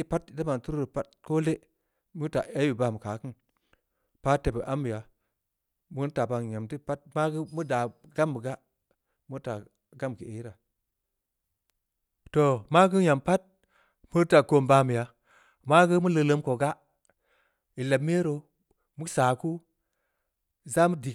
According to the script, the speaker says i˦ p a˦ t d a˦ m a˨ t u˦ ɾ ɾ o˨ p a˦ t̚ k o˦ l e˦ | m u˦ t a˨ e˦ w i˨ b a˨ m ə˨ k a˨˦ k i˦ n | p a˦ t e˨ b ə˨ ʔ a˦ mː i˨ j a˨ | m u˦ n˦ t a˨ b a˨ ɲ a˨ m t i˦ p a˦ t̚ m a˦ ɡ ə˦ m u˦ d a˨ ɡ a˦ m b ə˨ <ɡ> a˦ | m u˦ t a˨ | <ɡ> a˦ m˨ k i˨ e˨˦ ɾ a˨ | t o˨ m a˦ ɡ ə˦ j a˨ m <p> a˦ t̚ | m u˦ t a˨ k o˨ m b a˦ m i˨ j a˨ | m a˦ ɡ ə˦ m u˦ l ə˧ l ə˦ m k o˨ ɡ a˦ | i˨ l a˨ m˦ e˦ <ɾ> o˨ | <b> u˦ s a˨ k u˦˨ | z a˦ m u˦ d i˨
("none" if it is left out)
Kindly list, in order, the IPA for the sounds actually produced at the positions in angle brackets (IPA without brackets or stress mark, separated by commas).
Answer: ɡ, ɡ, p, ɾ, m